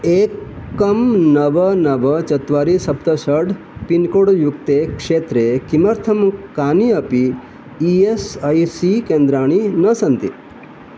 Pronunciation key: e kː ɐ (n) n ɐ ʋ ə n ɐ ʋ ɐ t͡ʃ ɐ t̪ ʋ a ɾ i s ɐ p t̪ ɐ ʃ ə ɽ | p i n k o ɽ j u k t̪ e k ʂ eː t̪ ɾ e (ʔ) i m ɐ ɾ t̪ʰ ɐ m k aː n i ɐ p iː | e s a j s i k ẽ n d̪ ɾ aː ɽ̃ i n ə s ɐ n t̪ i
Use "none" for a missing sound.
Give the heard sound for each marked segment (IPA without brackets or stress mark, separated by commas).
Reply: m, k